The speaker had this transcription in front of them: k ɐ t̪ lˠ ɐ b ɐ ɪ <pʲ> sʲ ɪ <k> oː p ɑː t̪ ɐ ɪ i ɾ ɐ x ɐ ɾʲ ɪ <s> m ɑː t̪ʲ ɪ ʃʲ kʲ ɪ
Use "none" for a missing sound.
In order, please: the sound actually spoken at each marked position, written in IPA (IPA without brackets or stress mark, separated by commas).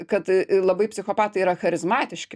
pʲ, x, z